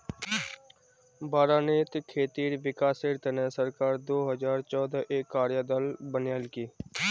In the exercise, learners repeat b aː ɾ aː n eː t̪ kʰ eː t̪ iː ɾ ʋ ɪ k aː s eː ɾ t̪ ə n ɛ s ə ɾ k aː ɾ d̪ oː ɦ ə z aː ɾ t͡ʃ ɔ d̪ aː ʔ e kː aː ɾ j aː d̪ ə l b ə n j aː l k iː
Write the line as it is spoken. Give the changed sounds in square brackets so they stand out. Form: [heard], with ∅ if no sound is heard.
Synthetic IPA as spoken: b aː ɾ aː n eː t̪ kʰ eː t̪ iː ɾ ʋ ɪ k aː s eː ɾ t̪ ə n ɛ s ə ɾ k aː ɾ d̪ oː ɦ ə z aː ɾ t͡ʃ [ɔː] d̪ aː ʔ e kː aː ɾ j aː d̪ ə l b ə n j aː l k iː